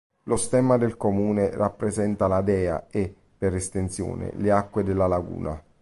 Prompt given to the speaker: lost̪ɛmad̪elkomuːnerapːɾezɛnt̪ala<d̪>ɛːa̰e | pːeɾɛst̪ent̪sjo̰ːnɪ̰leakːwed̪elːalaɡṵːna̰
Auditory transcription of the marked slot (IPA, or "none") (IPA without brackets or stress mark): d̪